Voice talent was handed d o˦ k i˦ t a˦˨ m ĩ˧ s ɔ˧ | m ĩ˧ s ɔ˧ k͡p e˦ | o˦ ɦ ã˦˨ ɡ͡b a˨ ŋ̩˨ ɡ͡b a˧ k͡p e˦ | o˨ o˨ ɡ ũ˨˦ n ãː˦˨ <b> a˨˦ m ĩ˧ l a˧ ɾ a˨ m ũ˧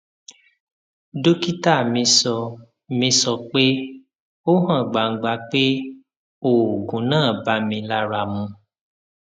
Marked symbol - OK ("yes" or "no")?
yes